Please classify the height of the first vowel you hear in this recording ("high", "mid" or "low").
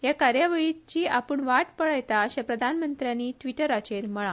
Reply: low